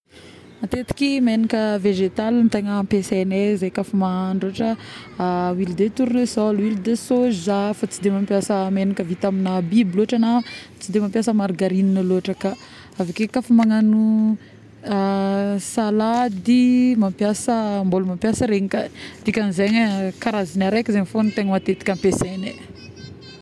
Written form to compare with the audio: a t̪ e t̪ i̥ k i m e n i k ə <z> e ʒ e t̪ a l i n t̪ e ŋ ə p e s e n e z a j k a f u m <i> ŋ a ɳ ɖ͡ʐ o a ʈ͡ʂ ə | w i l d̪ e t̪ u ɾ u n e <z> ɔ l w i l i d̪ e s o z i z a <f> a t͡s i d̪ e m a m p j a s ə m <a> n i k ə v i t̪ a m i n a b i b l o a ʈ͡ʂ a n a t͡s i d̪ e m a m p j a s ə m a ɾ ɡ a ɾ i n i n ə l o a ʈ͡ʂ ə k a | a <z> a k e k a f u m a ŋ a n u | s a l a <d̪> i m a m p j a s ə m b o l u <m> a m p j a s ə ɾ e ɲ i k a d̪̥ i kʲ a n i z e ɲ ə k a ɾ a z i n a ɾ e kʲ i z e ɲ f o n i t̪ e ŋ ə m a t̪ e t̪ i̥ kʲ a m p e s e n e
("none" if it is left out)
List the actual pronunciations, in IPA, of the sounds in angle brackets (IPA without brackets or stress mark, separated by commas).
v, a, s, f, e, v, d̪, m